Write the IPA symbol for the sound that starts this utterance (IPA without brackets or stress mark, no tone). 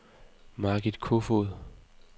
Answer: m